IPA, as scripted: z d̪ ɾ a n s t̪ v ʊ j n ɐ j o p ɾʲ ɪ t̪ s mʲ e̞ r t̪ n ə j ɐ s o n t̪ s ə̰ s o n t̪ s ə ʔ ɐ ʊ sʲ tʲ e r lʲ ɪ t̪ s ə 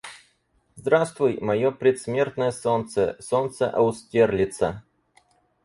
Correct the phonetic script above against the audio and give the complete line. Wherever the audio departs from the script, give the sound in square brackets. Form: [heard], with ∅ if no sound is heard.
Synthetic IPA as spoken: z d̪ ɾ a [∅] s t̪ v ʊ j [m] ɐ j o p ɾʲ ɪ t̪ s mʲ e̞ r t̪ n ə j [ə] s o n t̪ s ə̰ s o n t̪ s ə ʔ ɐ ʊ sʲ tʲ e r lʲ ɪ t̪ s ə